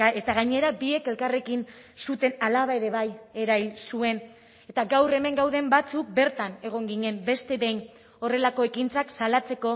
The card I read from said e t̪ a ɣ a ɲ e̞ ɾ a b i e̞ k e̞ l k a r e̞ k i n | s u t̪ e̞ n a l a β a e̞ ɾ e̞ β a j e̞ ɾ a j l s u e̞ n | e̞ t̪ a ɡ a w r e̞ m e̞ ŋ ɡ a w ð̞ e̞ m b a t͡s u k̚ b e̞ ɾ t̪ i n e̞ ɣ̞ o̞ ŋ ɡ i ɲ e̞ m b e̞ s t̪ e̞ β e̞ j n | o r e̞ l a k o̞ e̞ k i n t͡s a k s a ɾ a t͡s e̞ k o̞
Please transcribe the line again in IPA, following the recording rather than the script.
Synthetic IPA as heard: e t̪ a ɣ a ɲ e̞ ɾ a b i e̞ k e̞ l k a r e̞ k i n | s u t̪ e̞ n a l a β a e̞ ɾ e̞ β a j e̞ ɾ a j l s u e̞ n | e̞ t̪ a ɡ a w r e̞ m e̞ ŋ ɡ a w ð̞ e̞ m b a t͡s u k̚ b e̞ ɾ t̪ a n e̞ ɣ̞ o̞ ŋ ɡ i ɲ e̞ m b e̞ s t̪ e̞ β e̞ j n | o r e̞ l a k o̞ e̞ k i n t͡s a k s a l a t͡s e̞ k o̞